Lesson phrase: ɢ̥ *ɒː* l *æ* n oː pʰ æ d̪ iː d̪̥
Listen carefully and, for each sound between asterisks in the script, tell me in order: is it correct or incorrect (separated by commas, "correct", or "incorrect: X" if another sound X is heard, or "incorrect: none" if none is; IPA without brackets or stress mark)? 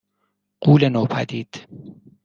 incorrect: uː, incorrect: e